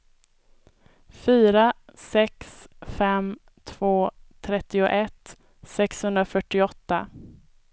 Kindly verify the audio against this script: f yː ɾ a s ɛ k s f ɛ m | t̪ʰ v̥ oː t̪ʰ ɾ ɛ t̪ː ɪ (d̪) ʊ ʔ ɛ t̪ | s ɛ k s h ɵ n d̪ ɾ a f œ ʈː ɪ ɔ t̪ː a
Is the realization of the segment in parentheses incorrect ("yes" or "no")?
yes